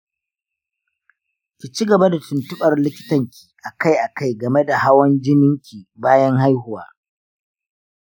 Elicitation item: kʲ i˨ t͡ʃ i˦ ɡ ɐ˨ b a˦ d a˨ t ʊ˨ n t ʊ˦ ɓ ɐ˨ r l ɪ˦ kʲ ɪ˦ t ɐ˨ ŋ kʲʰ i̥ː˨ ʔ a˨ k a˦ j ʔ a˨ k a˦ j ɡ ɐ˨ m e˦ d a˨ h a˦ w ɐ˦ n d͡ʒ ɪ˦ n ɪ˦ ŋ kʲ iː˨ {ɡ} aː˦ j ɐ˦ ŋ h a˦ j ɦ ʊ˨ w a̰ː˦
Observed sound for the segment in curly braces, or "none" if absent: b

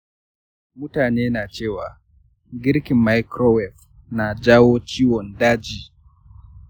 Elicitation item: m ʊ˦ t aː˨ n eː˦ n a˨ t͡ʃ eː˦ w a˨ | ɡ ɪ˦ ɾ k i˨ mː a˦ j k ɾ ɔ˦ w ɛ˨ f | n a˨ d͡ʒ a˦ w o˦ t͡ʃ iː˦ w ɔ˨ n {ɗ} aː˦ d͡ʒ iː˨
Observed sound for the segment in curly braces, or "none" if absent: d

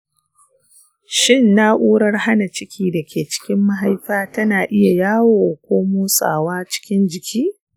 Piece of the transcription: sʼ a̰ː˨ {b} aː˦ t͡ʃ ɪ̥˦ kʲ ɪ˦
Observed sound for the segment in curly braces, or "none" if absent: w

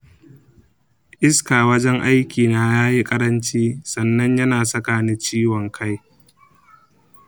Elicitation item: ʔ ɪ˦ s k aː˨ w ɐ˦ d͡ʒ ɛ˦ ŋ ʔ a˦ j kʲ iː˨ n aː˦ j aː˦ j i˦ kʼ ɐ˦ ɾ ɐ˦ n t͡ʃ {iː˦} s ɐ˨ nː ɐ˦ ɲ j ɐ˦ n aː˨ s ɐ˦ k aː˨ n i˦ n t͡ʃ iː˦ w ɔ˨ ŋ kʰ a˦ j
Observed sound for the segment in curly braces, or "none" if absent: iː˦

